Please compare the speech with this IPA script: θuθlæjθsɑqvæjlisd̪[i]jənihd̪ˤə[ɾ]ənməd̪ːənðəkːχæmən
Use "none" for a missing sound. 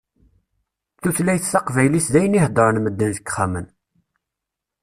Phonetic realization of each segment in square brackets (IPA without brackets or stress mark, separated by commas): æ, ɾ